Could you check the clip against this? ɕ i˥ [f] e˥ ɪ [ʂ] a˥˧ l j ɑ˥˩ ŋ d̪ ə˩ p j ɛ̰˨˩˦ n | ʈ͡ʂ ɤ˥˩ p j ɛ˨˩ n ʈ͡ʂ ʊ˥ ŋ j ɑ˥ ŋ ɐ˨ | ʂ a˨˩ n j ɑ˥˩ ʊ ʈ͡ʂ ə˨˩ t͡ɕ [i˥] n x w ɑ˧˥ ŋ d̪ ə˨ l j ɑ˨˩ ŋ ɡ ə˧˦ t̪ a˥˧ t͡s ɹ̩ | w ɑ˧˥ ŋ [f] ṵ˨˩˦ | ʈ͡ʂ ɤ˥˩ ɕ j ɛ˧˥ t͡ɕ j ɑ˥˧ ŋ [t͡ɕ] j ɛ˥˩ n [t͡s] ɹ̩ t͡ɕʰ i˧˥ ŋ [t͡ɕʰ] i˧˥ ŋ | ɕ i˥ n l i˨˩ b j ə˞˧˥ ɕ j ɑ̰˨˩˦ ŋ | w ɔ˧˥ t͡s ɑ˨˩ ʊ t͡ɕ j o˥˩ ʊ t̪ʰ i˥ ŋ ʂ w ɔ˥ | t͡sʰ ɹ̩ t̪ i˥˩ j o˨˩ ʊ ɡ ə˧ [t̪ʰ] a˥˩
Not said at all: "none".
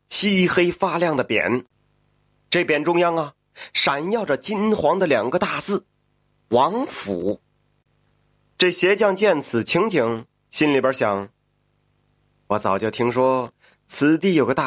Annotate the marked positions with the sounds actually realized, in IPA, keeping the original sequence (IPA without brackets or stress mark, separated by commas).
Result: x, f, i˥, f, t͡ɕ, t͡sʰ, t͡ɕʰ, t̪